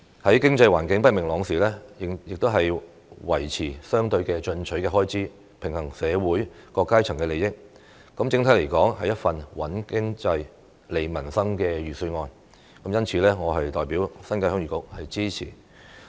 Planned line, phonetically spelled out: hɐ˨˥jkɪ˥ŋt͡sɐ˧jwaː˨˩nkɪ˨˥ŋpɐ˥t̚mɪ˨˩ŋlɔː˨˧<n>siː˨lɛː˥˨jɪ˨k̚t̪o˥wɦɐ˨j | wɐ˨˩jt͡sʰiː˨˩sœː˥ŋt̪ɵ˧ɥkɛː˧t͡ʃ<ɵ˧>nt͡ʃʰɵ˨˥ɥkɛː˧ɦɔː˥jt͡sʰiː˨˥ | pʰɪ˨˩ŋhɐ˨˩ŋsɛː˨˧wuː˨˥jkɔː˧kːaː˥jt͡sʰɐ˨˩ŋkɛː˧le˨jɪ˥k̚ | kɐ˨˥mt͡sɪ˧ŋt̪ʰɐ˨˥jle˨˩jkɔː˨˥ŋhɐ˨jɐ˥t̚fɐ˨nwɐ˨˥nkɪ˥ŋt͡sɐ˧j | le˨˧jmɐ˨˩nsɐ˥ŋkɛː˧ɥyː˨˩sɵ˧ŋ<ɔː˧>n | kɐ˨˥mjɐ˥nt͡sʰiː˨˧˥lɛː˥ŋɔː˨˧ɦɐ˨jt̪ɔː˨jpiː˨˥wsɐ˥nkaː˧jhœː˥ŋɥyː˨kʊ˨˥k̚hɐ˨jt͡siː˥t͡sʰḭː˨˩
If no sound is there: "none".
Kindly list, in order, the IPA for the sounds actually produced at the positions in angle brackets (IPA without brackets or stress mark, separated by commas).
ŋ, ɵ˧, ɔː˧